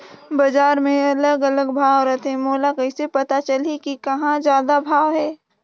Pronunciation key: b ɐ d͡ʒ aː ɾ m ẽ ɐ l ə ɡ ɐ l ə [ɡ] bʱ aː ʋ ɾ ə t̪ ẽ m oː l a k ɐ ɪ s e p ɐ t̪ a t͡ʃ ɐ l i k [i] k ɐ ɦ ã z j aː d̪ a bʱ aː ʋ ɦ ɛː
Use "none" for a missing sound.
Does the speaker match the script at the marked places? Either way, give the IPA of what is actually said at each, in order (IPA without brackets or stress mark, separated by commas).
ɡ, i